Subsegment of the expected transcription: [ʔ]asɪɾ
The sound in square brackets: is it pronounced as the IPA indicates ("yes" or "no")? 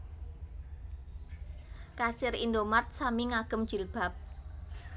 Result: no